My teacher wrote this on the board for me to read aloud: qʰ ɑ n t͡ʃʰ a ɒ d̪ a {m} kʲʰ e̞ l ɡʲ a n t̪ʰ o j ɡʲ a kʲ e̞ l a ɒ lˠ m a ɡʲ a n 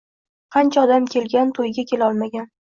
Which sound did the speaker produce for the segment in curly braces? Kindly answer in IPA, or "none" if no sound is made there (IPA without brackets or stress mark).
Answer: m